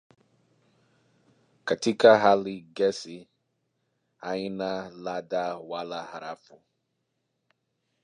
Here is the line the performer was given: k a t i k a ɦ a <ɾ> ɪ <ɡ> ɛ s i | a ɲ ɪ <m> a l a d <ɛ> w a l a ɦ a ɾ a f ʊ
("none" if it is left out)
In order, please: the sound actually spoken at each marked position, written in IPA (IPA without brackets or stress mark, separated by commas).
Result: l, ɡ, n, a